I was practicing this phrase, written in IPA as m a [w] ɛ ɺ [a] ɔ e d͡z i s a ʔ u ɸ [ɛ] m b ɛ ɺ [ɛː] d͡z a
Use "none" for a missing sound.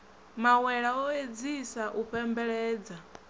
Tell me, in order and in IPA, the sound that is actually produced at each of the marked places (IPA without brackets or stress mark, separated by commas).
w, a, ɛ, ɛː